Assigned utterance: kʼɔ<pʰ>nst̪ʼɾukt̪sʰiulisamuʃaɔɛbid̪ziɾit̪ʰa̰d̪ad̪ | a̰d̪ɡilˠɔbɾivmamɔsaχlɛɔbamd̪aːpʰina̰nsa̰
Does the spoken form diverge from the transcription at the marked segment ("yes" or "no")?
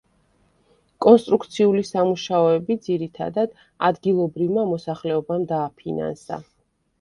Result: yes